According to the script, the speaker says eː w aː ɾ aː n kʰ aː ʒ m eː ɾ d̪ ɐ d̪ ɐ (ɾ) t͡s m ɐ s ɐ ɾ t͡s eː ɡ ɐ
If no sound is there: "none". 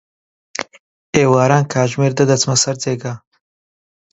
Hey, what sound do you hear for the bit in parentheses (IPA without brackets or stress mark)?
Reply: none